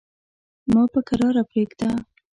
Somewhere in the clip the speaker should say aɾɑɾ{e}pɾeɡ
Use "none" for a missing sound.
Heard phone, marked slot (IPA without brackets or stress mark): a